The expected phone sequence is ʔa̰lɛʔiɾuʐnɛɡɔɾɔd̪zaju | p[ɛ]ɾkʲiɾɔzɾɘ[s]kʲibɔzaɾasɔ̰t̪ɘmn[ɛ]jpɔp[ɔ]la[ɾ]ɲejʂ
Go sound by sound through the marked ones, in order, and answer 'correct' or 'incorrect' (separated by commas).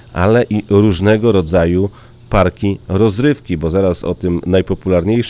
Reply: incorrect, incorrect, incorrect, incorrect, correct